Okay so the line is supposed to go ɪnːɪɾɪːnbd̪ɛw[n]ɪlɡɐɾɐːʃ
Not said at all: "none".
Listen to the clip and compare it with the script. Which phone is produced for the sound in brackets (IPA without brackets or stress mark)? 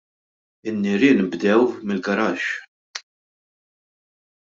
m